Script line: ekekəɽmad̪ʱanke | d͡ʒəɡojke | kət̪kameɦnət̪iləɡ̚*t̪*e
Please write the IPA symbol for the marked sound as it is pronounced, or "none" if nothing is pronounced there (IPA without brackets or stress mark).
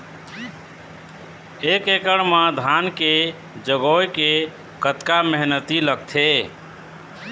t̪ʰ